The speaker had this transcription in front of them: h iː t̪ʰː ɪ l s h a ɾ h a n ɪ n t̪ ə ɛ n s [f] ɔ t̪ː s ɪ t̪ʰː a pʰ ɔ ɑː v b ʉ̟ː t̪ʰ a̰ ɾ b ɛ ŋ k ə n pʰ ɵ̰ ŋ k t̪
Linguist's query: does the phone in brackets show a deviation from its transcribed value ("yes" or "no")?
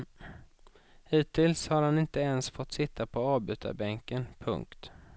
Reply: no